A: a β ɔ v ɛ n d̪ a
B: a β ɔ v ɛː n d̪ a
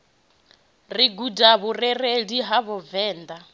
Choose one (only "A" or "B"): B